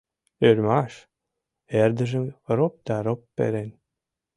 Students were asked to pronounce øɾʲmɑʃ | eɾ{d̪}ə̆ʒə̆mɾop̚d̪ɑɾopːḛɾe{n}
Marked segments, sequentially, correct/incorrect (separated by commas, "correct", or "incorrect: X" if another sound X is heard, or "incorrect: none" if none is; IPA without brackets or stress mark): correct, correct